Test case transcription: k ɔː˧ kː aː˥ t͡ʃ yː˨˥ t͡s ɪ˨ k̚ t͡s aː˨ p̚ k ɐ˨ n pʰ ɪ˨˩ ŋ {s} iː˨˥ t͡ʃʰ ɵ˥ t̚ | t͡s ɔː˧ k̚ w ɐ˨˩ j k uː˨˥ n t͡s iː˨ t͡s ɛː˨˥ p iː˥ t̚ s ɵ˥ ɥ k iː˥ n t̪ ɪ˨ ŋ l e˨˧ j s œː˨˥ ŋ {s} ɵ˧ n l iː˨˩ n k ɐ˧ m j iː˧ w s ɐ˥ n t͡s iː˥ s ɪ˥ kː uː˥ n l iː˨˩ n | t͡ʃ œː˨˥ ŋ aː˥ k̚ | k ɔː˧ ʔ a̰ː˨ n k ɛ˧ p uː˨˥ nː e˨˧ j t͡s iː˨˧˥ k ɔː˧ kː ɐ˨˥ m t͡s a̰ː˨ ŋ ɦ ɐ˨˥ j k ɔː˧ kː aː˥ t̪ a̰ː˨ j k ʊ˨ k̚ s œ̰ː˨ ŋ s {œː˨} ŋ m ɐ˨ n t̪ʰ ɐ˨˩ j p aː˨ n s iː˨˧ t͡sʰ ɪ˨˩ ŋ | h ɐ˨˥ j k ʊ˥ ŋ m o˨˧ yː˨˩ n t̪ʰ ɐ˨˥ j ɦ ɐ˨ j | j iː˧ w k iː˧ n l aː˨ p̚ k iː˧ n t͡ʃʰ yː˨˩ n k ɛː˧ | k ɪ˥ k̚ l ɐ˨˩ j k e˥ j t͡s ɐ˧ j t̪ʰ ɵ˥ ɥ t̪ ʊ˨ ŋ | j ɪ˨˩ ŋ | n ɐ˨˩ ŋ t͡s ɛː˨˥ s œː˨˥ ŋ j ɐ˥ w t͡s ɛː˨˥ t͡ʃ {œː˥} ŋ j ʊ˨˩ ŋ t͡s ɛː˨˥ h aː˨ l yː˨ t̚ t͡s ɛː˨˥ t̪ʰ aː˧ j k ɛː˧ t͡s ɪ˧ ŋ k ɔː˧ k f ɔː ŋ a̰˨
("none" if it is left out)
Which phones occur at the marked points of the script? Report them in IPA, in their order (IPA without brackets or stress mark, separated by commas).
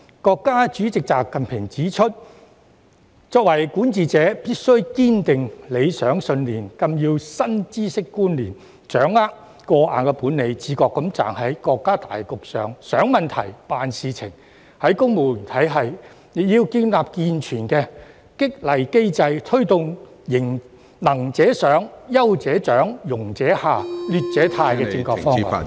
t͡s, s, œː˨˥, œː˨˥